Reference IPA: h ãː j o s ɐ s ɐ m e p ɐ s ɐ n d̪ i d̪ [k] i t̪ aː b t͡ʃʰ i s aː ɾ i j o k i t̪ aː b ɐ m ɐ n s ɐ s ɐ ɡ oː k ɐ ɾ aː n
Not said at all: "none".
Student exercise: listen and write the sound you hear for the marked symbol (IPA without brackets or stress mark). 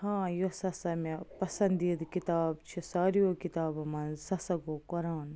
k